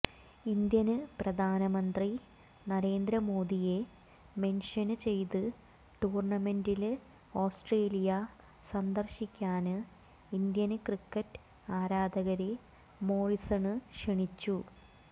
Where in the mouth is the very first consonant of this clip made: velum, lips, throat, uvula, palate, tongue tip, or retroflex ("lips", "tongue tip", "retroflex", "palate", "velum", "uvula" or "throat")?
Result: tongue tip